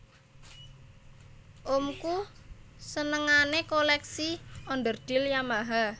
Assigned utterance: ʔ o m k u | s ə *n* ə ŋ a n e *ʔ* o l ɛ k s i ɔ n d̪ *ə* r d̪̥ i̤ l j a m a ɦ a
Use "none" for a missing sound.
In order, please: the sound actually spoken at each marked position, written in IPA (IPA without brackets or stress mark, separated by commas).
n, k, ə